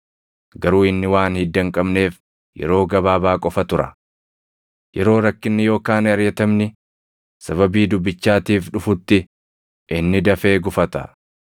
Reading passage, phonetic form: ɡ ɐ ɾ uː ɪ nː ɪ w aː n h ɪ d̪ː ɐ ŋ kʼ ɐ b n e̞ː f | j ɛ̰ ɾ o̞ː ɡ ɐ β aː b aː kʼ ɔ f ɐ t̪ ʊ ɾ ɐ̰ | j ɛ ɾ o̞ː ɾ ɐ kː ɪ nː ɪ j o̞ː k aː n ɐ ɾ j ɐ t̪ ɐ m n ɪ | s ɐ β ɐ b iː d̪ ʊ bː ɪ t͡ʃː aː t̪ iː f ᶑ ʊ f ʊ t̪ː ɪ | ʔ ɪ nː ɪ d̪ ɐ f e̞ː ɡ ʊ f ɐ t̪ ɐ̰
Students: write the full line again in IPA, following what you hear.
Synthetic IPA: ɡ ɐ ɾ uː ɪ nː ɪ w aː n h ɪ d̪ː ɐ ŋ kʼ ɐ b n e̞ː f | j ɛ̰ ɾ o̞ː ɡ ɐ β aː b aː kʼ ɔ f ɐ t̪ ʊ ɾ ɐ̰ | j ɛ ɾ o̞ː ɾ ɐ kː ɪ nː ɪ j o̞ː k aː n ɐ ɾ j ɐ t̪ ɐ m n ɪ | s ɐ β ɐ b iː d̪ ʊ bː ɪ t͡ʃː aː t̪ iː f ᶑ ʊ f ʊ t̪ː ɪ | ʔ ɪ nː ɪ d̪ ɐ f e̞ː ɡ ʊ f ɐ t̪ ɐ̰

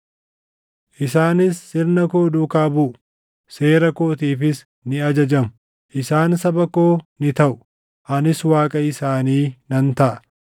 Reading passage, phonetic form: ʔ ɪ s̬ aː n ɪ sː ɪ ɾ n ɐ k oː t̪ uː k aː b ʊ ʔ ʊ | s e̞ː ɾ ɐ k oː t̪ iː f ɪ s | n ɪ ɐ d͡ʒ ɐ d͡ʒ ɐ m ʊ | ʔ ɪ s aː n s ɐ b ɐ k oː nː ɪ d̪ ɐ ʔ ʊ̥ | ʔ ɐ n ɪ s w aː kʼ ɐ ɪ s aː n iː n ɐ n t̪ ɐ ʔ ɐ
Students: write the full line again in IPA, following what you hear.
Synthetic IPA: ʔ ɪ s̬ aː n ɪ sː ɪ ɾ n ɐ k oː d̪ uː k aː b ʊ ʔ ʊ | s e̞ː ɾ ɐ k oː t̪ iː f ɪ s | n ɪ ɐ d͡ʒ ɐ d͡ʒ ɐ m ʊ | ʔ ɪ s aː n s ɐ b ɐ k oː n ɪ t̪ ɐ ʔ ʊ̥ | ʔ ɐ n ɪ s w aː kʼ ɐ ɪ s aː n iː n ɐ n t̪ ɐ ʔ ɐ

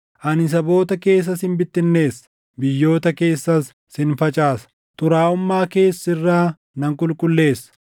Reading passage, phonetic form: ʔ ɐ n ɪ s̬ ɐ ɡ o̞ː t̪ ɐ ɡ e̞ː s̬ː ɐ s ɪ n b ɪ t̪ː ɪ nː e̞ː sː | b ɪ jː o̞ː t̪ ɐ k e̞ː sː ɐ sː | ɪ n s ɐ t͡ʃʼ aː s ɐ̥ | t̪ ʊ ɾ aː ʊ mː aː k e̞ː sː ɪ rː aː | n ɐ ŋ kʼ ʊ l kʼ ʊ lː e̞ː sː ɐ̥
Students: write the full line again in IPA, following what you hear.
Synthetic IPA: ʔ ɐ n ɪ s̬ ɐ b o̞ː t̪ ɐ k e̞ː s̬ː ɐ s ɪ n b ɪ t̪ː ɪ nː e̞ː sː | b ɪ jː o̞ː t̪ ɐ k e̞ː sː ɐ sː | ɪ n f ɐ t͡ʃʼ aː s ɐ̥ | t̪ ʊ ɾ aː ʊ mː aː k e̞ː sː ɪ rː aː | n ɐ ŋ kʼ ʊ l kʼ ʊ lː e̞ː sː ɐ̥

